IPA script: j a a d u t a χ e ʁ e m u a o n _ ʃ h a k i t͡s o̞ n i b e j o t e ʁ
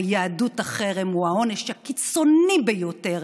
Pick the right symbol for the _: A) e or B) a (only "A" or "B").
A